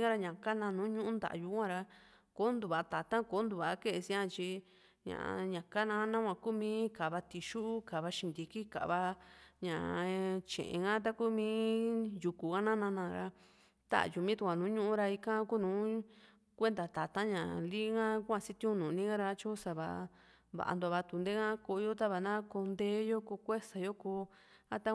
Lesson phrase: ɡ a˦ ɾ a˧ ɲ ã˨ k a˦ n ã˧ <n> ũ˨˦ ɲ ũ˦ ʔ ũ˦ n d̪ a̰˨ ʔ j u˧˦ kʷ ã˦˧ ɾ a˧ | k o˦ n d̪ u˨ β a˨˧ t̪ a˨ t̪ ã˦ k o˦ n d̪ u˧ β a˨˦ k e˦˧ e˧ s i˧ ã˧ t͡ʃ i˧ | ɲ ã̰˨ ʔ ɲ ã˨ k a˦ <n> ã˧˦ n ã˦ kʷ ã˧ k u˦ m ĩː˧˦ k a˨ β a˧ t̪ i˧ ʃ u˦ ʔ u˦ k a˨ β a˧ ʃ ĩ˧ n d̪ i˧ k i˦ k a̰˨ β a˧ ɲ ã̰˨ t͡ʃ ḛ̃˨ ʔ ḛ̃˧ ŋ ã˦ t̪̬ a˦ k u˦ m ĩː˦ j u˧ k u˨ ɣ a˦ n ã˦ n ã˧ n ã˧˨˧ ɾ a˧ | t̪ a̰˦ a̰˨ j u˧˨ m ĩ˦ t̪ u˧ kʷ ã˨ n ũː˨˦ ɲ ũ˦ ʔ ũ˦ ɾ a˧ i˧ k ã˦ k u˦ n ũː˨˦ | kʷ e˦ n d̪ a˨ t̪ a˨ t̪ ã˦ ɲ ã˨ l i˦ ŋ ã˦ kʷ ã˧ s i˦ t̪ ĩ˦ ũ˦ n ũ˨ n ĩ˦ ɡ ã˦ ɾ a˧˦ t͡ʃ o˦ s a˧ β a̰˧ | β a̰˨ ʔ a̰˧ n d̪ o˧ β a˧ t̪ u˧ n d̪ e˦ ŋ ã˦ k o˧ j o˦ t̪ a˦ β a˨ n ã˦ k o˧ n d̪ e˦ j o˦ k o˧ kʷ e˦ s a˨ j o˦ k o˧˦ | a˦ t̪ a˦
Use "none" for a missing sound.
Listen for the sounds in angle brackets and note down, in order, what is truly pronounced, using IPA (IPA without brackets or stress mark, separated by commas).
n, n